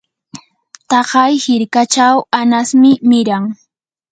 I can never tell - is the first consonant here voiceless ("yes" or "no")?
yes